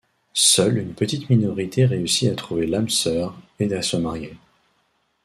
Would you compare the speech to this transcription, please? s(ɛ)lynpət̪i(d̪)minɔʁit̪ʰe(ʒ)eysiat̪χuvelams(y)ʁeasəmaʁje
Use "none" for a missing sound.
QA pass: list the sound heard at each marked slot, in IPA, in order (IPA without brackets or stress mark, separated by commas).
œ, t̪, ʁ, œ